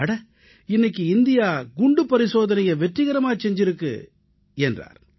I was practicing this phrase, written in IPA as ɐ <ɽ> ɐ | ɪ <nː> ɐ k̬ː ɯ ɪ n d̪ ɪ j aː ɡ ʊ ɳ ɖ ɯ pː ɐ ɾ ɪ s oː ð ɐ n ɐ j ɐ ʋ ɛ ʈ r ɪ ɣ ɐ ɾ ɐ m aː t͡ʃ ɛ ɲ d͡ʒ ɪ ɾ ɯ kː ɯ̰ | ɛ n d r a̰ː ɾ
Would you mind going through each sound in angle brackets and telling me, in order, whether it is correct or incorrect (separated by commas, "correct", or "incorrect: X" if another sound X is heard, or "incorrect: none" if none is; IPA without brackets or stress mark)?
correct, correct